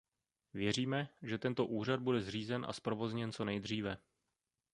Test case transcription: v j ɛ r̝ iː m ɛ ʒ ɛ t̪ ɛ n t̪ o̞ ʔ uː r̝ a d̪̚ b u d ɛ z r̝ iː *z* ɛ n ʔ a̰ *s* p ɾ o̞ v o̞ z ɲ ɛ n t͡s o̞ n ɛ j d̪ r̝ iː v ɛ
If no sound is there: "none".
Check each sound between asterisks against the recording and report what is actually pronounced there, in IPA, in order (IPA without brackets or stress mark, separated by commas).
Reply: z, s